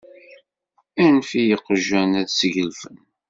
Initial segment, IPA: æ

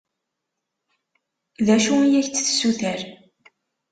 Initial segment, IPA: ð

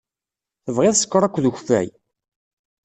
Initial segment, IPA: θ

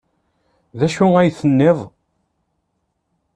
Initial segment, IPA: ð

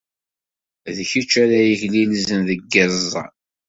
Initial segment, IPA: ð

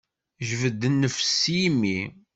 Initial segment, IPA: ʒ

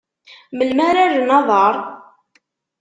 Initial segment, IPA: m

